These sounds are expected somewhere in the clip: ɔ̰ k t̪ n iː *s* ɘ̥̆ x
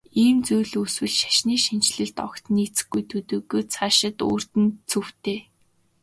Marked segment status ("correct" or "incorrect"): incorrect